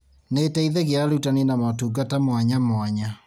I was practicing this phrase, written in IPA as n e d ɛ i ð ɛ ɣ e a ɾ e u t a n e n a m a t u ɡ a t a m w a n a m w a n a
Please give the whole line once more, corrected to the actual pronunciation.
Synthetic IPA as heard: n e t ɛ i ð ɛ ɣ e a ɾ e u t a n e n a m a t u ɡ a t a m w a ɲ a m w a ɲ a